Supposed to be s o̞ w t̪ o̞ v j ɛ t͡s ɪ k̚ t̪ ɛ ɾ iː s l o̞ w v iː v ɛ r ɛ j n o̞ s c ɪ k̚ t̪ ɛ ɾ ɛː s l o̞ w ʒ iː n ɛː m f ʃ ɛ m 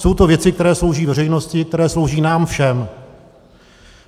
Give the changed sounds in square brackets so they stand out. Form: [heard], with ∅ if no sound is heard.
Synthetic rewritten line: s o̞ w t̪ o̞ v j ɛ t͡s ɪ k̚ t̪ ɛ ɾ [ɛː] s l o̞ w [ʒ] iː v ɛ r ɛ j n o̞ s c ɪ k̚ t̪ ɛ ɾ ɛː s l o̞ w ʒ iː n [aː] m f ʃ ɛ m